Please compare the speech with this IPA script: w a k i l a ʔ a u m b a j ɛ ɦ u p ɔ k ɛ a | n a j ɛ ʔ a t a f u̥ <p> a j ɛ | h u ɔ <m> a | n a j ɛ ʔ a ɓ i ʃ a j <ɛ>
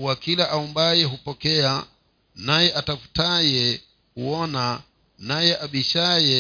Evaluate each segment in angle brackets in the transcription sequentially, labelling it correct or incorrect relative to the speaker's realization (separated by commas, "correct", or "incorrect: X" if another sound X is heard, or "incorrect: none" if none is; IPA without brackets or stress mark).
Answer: incorrect: t, incorrect: n, correct